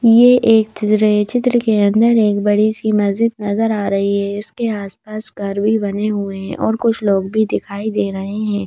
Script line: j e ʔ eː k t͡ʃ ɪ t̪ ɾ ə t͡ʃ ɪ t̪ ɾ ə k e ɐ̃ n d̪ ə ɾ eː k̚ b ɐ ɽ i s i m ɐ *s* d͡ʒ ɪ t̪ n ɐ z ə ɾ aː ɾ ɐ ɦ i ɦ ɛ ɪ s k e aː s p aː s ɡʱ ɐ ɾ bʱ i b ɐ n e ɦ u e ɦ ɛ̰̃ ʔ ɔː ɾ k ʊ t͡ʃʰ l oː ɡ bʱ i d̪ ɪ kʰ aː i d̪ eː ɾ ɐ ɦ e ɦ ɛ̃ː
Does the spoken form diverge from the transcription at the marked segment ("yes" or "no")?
yes